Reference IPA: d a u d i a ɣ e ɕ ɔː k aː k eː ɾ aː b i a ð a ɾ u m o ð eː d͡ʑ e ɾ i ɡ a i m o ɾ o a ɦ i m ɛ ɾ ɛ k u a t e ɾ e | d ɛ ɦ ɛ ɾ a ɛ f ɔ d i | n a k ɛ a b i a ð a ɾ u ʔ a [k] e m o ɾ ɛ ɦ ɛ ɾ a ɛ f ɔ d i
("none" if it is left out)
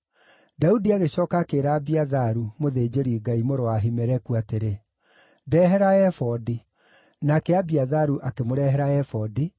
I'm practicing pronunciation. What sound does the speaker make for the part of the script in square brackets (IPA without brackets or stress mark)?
k